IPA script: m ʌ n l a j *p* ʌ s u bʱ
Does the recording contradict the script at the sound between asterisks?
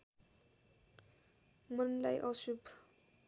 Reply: yes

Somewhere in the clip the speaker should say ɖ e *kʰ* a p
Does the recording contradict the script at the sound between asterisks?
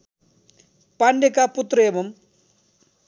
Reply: yes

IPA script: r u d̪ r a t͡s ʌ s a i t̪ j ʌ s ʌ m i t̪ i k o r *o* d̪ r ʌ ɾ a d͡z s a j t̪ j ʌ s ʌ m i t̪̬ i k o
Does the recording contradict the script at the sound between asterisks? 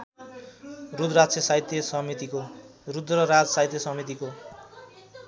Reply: yes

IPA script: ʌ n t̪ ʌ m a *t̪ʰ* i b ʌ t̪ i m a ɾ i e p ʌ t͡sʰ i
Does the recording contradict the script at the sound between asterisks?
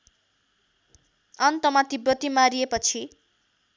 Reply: yes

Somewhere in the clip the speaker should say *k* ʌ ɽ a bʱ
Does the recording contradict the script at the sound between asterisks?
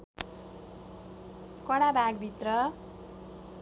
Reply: no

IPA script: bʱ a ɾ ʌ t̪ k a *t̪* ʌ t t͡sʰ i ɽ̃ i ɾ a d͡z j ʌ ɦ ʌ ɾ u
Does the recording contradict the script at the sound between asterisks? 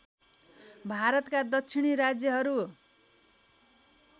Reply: yes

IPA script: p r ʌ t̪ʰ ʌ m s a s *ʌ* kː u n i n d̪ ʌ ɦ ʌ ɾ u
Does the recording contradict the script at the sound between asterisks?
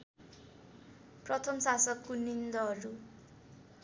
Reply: no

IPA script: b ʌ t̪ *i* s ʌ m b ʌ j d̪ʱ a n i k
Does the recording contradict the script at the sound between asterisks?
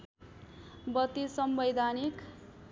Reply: no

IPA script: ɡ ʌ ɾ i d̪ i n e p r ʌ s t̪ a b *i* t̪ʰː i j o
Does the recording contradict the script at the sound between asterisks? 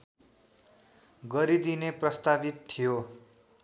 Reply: no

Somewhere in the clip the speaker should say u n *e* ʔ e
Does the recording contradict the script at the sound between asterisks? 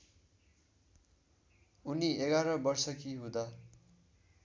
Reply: yes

